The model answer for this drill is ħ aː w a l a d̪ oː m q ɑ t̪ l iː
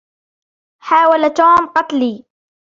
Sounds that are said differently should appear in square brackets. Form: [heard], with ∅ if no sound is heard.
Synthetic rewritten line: ħ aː w a l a [t̪] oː m q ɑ t̪ l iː